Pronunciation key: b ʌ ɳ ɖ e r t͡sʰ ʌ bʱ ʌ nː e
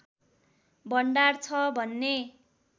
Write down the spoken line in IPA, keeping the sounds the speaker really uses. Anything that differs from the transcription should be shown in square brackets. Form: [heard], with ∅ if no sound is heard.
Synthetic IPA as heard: b ʌ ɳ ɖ [a] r t͡sʰ ʌ bʱ ʌ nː e